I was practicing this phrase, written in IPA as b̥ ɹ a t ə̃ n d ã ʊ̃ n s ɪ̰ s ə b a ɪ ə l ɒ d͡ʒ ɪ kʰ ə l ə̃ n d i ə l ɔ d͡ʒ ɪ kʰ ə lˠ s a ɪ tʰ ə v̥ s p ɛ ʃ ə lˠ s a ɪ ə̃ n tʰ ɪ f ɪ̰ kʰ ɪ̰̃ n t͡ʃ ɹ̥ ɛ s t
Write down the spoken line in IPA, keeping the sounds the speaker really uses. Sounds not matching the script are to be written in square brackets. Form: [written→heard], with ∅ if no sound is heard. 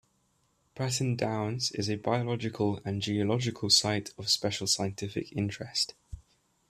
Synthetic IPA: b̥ ɹ a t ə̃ n d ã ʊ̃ n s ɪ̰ [s→z] ə b a ɪ ə l ɒ d͡ʒ ɪ kʰ ə l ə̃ n [d→d͡ʒ] i ə l [ɔ→ɒ] d͡ʒ ɪ kʰ ə lˠ s a ɪ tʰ ə v̥ s p ɛ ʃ ə lˠ s a ɪ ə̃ n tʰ ɪ f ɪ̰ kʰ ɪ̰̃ n t͡ʃ ɹ̥ ɛ s t